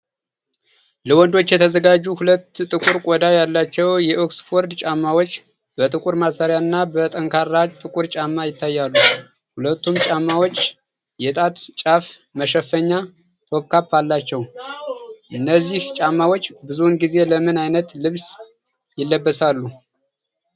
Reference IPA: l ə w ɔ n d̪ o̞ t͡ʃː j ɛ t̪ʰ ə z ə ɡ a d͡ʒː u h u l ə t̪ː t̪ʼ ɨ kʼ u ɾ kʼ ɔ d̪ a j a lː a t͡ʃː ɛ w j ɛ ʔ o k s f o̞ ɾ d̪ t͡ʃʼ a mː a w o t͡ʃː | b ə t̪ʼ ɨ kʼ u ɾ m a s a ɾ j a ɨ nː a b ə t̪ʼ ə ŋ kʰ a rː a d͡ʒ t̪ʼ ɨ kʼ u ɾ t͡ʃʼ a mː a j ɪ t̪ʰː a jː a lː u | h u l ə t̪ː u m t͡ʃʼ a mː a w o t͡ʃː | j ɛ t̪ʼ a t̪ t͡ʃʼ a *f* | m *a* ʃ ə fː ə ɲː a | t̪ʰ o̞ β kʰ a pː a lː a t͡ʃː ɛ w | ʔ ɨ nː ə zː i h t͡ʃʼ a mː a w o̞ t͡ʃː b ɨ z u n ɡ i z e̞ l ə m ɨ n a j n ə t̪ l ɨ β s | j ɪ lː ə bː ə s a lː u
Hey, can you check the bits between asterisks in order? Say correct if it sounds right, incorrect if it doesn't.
correct, incorrect

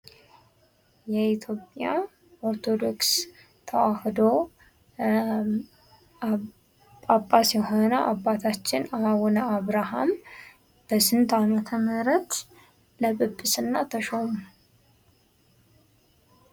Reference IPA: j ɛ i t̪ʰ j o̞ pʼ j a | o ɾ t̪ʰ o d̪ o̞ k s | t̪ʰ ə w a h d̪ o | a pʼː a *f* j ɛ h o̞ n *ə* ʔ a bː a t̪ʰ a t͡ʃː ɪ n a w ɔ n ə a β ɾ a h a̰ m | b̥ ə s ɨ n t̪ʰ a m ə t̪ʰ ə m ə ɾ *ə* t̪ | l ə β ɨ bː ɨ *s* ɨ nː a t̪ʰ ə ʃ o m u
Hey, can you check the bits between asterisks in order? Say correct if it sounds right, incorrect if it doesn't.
incorrect, correct, correct, correct

